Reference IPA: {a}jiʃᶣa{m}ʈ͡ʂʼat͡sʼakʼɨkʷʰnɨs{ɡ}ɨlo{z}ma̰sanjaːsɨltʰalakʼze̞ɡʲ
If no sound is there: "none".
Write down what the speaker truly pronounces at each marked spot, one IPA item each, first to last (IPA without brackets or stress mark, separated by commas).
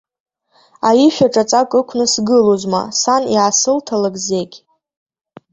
a, none, ɡ, z